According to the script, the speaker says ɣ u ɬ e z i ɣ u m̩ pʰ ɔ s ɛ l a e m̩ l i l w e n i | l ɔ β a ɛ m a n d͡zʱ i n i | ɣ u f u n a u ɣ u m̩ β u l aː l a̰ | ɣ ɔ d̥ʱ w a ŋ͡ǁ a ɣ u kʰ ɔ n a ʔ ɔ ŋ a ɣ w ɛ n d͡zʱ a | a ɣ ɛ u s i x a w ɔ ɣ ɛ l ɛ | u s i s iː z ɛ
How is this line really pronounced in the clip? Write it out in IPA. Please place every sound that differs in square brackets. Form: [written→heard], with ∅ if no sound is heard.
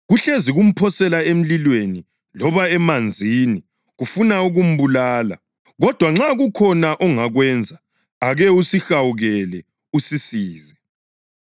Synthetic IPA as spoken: ɣ u ɬ e z i ɣ u m̩ pʰ ɔ s ɛ l a e m̩ l i l w e n i | l ɔ β a ɛ m a n d͡zʱ i n i | ɣ u f u n a u ɣ u m̩ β u l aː l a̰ | ɣ ɔ d̥ʱ w a ŋ͡ǁ a ɣ u kʰ ɔ n a ʔ ɔ ŋ a ɣ w ɛ n d͡zʱ a | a ɣ ɛ u s i x a w [ɔ→u] ɣ ɛ l ɛ | u s i s iː z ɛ